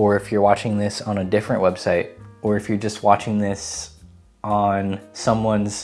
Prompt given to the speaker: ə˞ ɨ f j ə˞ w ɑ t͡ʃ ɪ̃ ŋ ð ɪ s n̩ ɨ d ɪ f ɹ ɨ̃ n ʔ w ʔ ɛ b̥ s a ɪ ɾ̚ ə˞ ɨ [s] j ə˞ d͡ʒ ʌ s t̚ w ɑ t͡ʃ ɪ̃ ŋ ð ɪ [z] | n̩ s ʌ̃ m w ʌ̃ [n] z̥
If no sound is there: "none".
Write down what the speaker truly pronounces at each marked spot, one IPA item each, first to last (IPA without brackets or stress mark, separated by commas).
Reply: f, s, n